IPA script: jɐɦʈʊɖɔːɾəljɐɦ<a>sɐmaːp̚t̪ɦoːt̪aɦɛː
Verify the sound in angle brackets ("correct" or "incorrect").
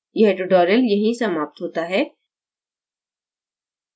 incorrect